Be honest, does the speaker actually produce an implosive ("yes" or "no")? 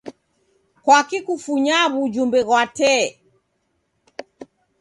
no